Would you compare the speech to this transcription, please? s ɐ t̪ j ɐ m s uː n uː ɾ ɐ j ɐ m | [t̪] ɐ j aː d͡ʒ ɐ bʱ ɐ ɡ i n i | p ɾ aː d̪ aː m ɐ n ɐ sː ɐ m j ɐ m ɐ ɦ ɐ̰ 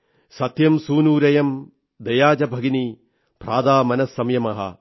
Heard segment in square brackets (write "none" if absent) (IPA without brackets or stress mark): d̪